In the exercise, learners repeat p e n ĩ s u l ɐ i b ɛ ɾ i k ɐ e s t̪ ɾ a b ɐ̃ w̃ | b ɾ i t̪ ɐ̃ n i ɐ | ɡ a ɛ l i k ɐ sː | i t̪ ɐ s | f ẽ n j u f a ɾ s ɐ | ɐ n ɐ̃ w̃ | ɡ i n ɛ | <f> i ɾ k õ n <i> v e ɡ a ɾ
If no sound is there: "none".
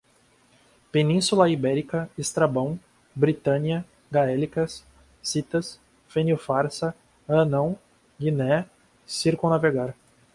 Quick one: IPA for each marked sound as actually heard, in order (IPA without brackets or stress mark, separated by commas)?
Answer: s, a